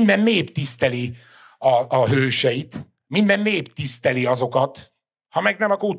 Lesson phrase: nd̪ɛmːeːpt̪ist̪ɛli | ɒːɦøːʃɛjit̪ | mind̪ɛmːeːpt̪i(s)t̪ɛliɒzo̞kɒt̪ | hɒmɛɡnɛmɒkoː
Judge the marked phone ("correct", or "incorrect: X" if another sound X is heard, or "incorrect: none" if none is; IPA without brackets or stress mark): correct